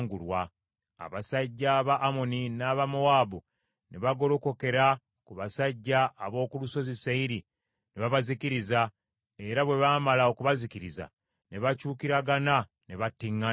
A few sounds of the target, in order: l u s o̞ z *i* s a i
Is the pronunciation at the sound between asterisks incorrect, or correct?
correct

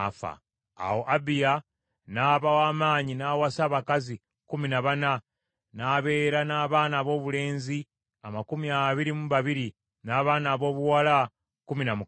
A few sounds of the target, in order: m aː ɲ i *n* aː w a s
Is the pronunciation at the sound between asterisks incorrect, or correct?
correct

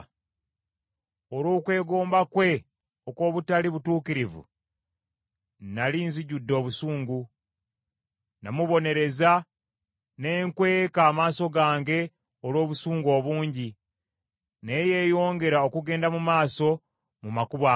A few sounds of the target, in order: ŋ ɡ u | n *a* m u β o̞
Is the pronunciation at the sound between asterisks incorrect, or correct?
correct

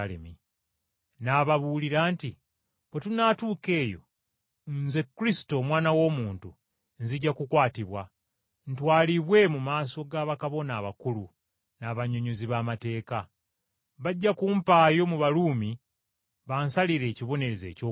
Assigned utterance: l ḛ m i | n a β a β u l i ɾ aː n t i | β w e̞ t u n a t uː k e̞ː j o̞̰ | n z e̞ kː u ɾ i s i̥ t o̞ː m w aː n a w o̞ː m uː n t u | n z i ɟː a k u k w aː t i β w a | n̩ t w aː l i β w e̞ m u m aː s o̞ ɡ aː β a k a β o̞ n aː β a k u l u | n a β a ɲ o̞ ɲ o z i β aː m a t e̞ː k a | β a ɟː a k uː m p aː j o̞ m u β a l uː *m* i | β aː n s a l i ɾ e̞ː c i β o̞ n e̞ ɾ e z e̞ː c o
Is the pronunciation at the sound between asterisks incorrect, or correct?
correct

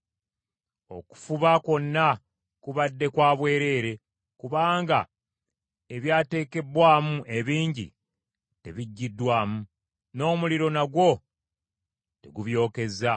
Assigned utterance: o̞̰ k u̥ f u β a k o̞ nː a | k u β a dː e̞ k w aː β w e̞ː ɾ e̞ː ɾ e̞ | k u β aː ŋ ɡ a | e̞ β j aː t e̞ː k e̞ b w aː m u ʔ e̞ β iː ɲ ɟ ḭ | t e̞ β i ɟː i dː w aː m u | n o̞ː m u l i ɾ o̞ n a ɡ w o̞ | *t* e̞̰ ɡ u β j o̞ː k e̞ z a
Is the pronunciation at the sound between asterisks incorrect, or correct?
correct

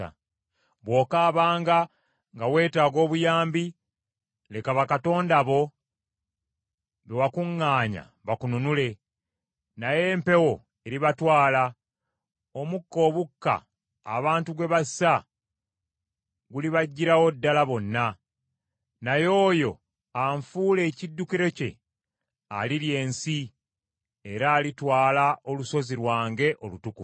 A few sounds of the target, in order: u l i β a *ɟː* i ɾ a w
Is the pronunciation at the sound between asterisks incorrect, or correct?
correct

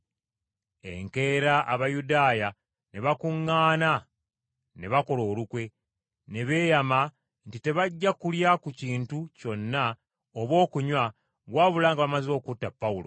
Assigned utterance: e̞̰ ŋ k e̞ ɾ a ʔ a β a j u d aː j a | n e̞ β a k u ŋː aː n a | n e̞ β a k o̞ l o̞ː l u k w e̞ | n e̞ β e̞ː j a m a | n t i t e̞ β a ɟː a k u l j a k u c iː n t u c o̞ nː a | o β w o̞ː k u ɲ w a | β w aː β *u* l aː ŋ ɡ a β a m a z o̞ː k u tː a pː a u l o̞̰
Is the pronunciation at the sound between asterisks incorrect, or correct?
correct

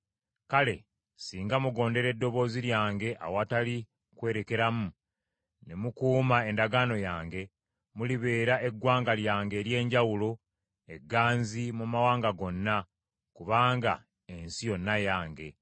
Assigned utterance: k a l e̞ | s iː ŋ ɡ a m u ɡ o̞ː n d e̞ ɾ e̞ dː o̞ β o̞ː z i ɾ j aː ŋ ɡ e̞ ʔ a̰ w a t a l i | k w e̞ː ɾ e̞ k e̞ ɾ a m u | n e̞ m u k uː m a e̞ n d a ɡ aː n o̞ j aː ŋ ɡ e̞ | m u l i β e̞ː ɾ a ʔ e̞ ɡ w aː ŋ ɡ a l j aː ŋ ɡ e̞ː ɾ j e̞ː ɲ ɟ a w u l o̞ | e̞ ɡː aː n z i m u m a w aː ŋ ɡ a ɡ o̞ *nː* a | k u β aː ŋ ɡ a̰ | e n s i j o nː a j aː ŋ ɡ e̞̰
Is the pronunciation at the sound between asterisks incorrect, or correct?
correct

